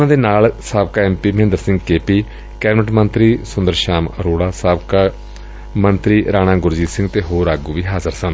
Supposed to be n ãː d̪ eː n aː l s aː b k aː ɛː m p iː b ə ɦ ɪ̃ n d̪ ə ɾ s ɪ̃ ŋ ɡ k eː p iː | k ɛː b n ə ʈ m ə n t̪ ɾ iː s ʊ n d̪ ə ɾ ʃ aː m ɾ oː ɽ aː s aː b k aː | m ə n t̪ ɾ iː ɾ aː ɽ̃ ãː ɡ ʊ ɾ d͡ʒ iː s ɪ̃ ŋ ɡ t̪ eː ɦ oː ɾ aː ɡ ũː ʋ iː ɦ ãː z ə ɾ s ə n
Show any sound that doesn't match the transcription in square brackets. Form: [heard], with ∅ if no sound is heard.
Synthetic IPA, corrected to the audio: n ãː d̪ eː n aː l s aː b k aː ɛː m p iː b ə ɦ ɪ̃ n d̪ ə ɾ s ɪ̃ ŋ ɡ k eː p iː | k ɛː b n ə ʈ m ə n t̪ ɾ iː s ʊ n d̪ ə ɾ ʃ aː m ɾ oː ɽ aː s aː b k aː | m ə n t̪ ɾ iː ɾ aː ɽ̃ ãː ɡ ʊ ɾ d͡ʒ iː s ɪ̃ ŋ ɡ t̪ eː ɦ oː ɾ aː ɡ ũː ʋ iː ɦ [aː] z ə ɾ s ə n